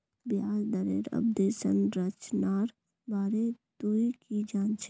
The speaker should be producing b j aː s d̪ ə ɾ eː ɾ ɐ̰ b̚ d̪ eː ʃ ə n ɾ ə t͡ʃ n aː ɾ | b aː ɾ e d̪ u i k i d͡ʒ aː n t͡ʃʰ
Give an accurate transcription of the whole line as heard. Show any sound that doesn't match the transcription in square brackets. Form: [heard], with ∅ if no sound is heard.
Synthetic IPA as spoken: b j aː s d̪ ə ɾ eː ɾ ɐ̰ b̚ d̪ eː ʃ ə n ɾ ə t͡ʃ n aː ɾ | b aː ɾ e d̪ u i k i d͡ʒ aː n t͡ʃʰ